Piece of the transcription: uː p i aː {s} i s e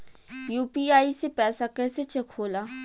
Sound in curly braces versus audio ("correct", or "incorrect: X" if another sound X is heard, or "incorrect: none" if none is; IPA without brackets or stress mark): incorrect: none